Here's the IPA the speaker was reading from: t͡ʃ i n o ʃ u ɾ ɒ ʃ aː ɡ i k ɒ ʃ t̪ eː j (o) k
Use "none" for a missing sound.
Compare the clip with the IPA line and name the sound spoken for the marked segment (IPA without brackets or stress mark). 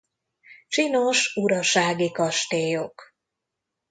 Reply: o